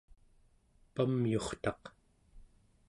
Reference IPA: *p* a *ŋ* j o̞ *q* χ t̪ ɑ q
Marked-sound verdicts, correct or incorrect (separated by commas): correct, incorrect, incorrect